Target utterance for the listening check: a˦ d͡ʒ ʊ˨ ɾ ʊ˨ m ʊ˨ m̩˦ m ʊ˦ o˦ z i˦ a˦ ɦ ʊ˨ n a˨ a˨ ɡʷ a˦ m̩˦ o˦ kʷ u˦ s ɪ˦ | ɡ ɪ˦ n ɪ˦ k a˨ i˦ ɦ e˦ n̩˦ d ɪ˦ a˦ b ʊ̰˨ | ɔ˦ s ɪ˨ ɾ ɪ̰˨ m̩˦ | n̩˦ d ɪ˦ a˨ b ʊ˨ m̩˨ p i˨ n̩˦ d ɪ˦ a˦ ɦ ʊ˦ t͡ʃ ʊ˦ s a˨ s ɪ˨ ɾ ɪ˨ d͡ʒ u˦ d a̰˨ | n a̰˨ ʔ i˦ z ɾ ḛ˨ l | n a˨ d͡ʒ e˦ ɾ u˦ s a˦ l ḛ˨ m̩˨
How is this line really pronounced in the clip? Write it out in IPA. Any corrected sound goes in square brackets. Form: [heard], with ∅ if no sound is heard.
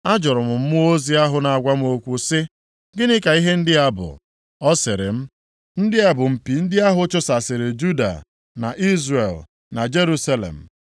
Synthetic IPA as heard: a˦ d͡ʒ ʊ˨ ɾ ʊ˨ m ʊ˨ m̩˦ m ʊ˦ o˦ z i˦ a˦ ɦ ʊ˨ n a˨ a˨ ɡʷ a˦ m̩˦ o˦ kʷ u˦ s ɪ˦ | ɡ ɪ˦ n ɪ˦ k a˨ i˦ ɦ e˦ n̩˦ d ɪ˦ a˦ b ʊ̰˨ | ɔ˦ s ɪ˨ ɾ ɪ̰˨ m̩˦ | n̩˦ d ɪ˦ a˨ b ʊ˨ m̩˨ p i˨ n̩˦ d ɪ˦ a˦ ɦ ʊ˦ t͡ʃ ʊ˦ s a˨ s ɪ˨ ɾ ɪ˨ d͡ʒ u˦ d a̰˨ | n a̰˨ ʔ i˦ z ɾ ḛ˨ l | n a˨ d͡ʒ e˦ ɾ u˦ s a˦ l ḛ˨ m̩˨